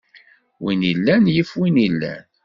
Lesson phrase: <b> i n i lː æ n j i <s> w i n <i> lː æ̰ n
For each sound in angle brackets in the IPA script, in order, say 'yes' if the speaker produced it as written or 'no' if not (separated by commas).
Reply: no, no, yes